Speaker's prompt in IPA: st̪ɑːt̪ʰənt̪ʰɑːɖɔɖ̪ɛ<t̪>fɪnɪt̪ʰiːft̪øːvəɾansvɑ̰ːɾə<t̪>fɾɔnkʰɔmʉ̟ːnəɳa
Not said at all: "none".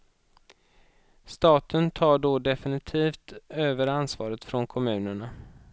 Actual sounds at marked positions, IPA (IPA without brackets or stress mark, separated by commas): none, t̪